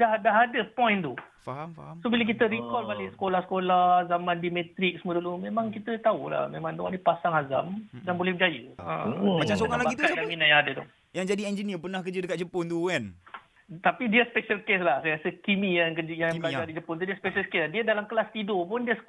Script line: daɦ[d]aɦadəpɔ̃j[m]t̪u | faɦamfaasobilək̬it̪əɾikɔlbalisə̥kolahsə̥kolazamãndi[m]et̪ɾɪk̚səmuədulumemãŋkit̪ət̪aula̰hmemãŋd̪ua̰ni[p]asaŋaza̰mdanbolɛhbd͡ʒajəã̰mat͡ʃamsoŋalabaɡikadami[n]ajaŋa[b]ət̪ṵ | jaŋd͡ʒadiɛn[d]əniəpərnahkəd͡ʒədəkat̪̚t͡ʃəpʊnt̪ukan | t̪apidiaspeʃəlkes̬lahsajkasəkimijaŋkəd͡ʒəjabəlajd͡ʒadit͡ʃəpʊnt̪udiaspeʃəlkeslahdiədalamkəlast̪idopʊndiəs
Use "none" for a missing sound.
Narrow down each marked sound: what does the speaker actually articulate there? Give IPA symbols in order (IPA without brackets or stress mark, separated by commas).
d, n, m, p, n, d, d͡ʒ